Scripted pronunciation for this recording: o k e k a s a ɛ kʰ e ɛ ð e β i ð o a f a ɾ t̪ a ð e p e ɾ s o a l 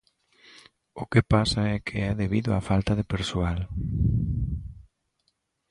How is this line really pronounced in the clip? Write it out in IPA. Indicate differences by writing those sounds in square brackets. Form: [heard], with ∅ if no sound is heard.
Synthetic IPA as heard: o k e [p] a s a ɛ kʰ e ɛ ð e β i ð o a f a [l] t̪ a ð e p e ɾ s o a l